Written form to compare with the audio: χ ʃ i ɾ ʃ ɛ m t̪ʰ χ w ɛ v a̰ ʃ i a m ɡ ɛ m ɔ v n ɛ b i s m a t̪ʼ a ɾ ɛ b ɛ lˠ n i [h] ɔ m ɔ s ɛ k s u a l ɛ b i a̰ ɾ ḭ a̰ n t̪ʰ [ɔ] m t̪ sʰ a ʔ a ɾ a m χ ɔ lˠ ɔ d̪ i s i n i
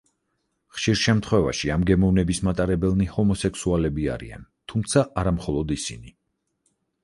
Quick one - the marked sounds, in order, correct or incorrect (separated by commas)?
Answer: correct, incorrect